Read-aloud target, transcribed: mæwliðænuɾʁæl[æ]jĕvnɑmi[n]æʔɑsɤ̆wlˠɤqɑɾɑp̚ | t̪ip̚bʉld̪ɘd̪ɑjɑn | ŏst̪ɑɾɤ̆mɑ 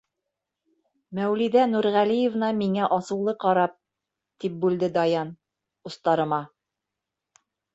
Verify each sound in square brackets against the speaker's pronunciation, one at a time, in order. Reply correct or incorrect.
incorrect: i, incorrect: ŋ

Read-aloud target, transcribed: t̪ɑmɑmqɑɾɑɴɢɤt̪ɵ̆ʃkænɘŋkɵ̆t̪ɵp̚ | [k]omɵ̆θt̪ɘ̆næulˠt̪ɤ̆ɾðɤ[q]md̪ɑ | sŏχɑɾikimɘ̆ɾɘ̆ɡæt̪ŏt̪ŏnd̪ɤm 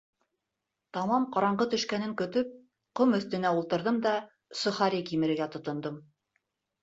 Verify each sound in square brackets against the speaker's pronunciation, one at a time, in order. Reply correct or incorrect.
incorrect: q, incorrect: none

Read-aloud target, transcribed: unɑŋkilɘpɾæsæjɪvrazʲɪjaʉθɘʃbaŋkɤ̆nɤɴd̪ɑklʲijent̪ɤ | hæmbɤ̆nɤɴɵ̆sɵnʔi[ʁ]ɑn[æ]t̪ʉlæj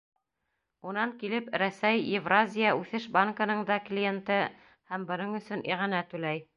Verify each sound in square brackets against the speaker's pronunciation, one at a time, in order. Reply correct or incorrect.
correct, correct

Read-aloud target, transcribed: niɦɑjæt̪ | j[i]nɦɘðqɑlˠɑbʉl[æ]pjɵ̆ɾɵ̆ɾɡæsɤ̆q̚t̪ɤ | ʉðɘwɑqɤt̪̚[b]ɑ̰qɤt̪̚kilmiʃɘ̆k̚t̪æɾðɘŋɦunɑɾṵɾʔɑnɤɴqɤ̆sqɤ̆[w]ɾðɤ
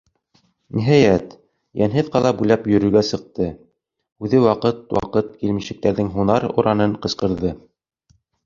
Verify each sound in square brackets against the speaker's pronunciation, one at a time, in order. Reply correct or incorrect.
incorrect: æ, correct, incorrect: w, incorrect: none

